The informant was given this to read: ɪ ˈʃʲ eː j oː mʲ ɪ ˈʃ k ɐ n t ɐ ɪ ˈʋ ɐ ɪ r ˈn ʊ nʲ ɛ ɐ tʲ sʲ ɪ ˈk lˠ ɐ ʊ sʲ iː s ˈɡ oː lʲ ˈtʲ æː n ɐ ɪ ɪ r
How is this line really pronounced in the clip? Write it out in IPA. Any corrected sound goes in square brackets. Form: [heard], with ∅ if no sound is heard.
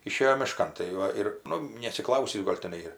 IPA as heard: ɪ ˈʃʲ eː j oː mʲ ɪ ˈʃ k ɐ n t ɐ ɪ ˈʋ ɐ ɪ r ˈn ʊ nʲ ɛ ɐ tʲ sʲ ɪ ˈk lˠ ɐ ʊ sʲ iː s ˈɡ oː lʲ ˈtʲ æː n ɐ ɪ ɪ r